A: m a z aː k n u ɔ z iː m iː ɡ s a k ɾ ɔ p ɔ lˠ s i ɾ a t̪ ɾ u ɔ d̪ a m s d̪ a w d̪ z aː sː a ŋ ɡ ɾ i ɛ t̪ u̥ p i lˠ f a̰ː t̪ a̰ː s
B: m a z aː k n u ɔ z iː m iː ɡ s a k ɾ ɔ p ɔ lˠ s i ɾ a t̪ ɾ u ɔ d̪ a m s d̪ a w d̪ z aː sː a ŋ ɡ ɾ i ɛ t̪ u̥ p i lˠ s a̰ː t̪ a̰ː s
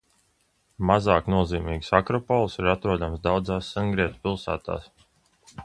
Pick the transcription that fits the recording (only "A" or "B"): B